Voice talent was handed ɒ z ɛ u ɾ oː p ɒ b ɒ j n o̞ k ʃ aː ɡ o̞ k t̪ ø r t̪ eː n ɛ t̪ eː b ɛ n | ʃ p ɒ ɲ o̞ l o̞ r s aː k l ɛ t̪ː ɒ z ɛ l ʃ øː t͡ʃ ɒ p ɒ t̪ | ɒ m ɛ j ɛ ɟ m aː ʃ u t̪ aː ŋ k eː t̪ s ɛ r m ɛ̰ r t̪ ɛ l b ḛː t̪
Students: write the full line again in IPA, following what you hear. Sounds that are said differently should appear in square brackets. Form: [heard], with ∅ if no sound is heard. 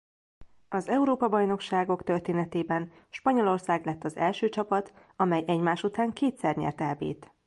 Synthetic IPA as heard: ɒ z ɛ u ɾ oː p ɒ b ɒ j n o̞ k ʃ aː ɡ o̞ k t̪ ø r t̪ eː n ɛ t̪ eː b ɛ n | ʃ p ɒ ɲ o̞ l o̞ r s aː [ɡ] l ɛ t̪ː ɒ z ɛ l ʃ øː t͡ʃ ɒ p ɒ t̪ | ɒ m ɛ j ɛ ɟ m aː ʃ u t̪ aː ŋ k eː t̪ s ɛ r [ɲ] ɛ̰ r t̪ ɛ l b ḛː t̪